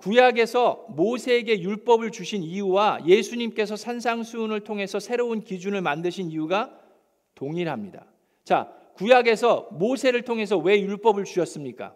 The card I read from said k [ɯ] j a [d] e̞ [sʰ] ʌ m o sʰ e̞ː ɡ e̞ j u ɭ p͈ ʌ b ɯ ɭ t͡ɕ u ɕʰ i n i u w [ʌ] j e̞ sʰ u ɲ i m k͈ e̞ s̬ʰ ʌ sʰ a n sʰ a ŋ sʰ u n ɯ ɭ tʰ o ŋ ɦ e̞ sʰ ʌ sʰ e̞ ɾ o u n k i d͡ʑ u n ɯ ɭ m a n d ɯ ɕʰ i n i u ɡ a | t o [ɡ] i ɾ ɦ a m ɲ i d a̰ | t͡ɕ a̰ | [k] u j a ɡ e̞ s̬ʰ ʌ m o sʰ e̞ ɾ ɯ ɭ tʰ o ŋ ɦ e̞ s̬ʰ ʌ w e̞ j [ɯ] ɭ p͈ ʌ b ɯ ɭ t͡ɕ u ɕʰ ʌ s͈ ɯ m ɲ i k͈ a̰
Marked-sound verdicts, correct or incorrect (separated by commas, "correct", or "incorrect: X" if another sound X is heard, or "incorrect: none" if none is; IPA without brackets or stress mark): incorrect: u, incorrect: ɡ, correct, incorrect: a, incorrect: ŋ, correct, incorrect: u